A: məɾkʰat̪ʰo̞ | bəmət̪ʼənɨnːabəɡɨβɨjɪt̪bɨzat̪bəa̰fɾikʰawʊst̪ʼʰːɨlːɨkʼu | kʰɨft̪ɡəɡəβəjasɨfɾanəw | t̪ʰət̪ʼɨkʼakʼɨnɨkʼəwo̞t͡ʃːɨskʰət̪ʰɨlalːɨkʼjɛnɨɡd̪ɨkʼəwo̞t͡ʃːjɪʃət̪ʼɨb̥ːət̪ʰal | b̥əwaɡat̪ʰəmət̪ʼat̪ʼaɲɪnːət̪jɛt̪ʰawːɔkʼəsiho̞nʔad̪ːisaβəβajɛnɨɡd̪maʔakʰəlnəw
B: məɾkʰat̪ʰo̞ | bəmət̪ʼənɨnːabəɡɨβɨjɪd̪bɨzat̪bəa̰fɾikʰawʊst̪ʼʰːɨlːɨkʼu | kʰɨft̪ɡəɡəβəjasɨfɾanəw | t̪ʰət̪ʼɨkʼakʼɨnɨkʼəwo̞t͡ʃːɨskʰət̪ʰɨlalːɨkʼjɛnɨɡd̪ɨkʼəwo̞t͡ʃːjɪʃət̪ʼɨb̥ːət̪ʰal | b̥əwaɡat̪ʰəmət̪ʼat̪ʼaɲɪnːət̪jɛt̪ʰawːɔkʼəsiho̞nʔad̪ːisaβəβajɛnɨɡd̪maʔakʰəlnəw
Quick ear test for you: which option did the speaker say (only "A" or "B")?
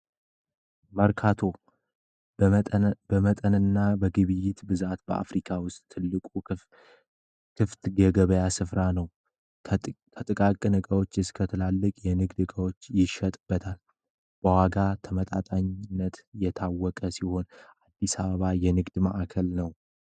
A